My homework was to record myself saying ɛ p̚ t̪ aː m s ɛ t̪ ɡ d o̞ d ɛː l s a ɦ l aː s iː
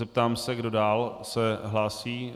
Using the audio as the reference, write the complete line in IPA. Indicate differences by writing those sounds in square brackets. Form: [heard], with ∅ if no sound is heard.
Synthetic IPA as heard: ɛ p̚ t̪ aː m s ɛ [∅] ɡ d o̞ d [aː] l s [ɛ] ɦ l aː s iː